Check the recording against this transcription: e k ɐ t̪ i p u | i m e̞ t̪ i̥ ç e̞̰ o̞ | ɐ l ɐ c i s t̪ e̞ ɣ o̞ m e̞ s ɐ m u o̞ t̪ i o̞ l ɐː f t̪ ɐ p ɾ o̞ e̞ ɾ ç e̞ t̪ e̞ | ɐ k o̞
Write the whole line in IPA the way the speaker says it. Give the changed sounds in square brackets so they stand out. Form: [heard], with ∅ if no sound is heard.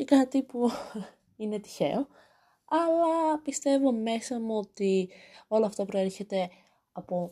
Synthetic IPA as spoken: e k ɐ t̪ i p u | i [n] e̞ t̪ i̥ ç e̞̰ o̞ | ɐ l ɐ [p] i s t̪ e̞ [v] o̞ m e̞ s ɐ m u o̞ t̪ i o̞ l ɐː f t̪ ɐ p ɾ o̞ e̞ ɾ ç e̞ t̪ e̞ | ɐ [p] o̞